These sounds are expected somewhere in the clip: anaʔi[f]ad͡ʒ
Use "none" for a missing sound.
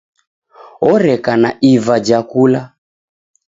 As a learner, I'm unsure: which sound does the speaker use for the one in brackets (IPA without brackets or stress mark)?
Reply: v